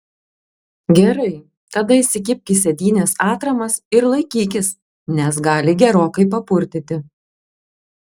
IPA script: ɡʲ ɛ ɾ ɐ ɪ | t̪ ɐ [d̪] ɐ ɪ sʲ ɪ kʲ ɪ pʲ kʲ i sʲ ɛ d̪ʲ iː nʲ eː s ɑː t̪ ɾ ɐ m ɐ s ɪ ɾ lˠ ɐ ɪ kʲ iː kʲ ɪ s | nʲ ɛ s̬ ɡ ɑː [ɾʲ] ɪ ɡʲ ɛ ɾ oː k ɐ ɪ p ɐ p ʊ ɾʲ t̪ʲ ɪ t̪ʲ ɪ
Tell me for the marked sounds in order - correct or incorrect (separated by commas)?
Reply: correct, incorrect